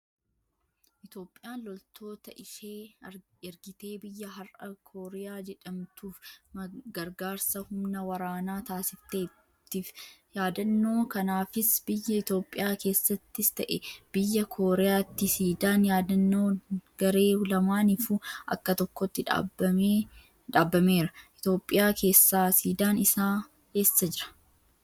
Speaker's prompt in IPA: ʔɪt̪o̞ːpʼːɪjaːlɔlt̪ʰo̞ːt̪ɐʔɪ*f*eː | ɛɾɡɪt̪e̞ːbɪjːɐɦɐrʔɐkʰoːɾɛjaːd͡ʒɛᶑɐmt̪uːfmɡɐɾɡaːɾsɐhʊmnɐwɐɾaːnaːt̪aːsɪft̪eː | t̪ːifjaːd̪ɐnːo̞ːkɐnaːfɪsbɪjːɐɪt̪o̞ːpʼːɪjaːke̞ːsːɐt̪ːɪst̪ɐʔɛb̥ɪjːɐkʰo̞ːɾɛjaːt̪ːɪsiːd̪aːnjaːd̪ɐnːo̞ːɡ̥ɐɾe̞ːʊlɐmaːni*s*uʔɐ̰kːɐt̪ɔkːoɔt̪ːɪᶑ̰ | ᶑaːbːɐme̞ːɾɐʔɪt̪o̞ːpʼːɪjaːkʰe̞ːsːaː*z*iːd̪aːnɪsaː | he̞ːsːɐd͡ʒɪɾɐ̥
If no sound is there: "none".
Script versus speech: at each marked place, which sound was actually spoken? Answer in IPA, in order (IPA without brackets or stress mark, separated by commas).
ʃ, f, s